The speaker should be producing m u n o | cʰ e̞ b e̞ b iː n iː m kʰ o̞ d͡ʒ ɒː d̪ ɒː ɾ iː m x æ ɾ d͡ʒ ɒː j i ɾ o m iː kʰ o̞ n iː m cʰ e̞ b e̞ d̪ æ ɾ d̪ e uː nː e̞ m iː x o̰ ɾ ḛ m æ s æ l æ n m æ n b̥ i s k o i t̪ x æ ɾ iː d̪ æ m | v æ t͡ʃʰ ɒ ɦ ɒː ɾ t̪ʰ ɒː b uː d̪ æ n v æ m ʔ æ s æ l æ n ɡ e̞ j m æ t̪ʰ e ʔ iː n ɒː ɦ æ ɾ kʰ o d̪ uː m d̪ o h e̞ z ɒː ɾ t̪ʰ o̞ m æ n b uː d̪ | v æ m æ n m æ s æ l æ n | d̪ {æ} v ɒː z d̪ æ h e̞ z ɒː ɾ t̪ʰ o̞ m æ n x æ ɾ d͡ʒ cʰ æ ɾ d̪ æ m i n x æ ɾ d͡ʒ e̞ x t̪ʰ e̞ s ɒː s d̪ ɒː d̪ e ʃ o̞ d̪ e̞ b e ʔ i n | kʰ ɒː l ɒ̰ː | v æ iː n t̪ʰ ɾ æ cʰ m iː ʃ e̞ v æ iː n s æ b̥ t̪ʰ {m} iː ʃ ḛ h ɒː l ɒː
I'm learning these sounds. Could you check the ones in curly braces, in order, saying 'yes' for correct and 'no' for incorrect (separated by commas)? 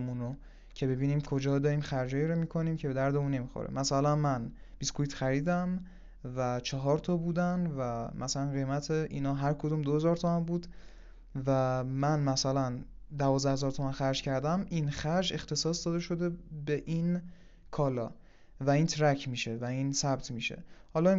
yes, yes